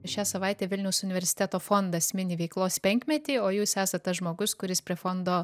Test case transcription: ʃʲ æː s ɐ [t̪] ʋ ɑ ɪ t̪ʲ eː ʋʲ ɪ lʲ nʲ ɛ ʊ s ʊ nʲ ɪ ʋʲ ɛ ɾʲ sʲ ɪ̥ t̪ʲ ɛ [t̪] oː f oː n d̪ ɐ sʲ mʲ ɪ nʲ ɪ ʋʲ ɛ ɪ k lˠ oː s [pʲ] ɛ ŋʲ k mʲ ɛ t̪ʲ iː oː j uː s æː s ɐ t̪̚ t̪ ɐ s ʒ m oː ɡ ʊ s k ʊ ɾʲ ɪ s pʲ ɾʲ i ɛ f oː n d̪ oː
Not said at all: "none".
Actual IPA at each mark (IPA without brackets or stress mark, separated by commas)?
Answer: none, t̪, pʲ